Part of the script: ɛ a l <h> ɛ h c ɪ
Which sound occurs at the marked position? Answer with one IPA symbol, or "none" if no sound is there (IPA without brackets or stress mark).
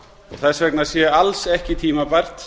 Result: s